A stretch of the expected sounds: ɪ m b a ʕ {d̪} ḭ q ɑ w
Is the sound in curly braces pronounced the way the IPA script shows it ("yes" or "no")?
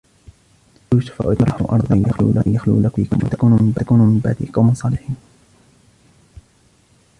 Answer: yes